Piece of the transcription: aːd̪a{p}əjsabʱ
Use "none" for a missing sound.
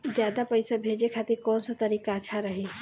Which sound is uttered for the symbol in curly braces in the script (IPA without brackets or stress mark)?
p